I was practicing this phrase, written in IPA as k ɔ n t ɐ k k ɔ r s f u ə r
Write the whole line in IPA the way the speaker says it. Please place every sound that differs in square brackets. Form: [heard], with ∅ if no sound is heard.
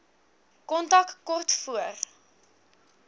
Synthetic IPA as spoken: k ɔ n t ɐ k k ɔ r [t] f u ə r